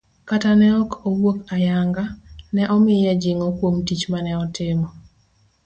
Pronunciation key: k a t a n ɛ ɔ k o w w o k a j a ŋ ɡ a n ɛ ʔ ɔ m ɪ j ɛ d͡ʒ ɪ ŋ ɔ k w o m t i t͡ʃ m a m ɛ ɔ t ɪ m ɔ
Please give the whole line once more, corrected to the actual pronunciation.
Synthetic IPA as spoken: k a t a n ɛ ɔ k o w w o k a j a ŋ ɡ a n ɛ ʔ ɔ m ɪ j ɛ d͡ʒ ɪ ŋ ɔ k w o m t i t͡ʃ m a n ɛ ɔ t ɪ m ɔ